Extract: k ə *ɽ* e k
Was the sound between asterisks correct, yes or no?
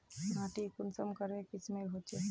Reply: no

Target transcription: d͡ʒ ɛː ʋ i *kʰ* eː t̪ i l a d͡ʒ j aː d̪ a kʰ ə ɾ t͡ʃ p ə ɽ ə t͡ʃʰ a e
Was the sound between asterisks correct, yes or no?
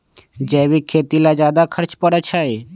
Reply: yes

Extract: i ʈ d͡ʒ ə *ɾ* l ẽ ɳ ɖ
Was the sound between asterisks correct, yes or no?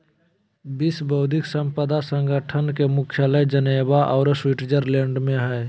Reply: yes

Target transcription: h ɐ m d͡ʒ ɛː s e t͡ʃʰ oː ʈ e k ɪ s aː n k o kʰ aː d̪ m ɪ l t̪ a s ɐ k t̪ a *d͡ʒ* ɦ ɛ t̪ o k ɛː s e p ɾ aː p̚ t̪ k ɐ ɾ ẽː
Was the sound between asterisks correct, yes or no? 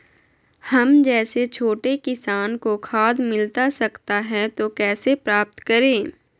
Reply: no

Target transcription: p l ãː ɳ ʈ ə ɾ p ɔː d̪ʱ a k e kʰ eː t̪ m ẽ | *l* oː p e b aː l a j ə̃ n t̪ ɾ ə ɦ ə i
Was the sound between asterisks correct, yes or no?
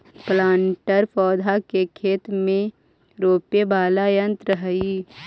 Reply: no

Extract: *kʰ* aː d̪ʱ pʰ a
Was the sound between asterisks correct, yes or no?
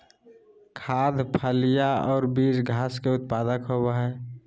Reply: yes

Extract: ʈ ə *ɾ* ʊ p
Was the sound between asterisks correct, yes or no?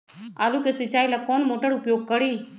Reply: no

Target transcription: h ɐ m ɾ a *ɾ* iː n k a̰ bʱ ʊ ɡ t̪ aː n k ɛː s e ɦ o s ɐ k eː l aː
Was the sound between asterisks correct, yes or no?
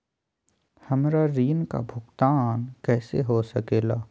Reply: yes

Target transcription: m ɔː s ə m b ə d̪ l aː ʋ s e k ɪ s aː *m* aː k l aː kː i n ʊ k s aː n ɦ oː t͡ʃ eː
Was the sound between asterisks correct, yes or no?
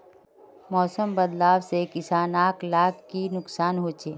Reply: no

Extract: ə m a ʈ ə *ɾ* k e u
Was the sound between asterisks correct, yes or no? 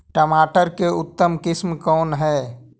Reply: yes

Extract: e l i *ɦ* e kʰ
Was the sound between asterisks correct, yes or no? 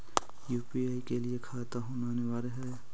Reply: no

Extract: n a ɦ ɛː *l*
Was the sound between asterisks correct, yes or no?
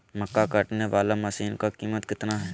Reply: no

